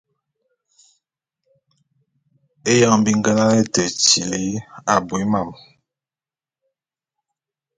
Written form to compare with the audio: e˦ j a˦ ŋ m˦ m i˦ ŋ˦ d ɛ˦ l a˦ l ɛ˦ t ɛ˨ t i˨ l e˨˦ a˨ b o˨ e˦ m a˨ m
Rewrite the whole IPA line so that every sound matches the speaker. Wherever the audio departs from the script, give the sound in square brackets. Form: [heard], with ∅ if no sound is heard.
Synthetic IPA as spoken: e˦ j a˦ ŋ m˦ [b] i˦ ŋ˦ [ɡ] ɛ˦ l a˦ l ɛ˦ t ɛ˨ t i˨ l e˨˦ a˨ b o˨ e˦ m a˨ m